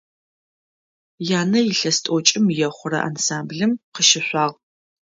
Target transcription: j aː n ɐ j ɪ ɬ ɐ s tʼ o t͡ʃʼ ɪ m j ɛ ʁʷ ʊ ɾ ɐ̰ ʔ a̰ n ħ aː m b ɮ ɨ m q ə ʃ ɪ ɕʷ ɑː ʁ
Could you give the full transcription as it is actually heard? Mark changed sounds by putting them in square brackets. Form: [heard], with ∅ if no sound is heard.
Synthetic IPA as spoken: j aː n ɐ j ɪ ɬ ɐ s tʼ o t͡ʃʼ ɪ m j ɛ [χʷ] ʊ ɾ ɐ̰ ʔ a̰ n [s] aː m b ɮ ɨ m q ə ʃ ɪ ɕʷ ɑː ʁ